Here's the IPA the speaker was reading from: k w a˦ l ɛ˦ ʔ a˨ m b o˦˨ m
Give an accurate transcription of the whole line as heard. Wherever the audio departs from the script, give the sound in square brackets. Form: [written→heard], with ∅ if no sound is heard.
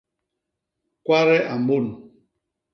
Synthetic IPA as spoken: k w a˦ [l→ɾ] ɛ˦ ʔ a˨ m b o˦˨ [m→n]